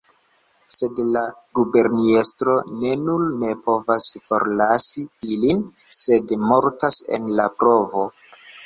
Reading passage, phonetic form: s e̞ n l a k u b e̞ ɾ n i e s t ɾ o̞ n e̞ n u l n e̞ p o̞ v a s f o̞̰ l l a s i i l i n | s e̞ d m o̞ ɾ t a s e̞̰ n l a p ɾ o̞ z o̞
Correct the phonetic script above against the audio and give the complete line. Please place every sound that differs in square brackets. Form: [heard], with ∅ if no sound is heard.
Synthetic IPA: s e̞ [d] l a [ɡ] u b e̞ ɾ n i e s t ɾ o̞ n e̞ n u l n e̞ p o̞ v a s f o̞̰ [ɾ] l a s i i l i n | s e̞ d m o̞ ɾ t a s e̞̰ n l a p ɾ o̞ [v] o̞